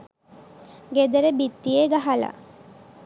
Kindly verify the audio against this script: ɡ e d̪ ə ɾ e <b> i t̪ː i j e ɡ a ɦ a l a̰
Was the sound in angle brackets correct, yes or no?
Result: yes